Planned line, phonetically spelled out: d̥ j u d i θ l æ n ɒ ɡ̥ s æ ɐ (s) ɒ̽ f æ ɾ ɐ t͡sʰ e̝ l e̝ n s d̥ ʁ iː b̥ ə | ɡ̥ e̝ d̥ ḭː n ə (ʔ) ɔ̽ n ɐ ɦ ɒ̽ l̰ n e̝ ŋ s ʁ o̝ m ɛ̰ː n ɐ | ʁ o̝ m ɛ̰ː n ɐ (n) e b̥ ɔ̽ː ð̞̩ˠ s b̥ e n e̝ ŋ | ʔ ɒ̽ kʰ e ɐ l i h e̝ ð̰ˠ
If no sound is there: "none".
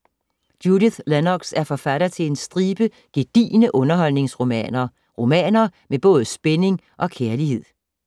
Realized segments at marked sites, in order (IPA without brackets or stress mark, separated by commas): f, ʔ, m